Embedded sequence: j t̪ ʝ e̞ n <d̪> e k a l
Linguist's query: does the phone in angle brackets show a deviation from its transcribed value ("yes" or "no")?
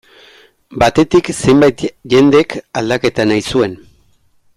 no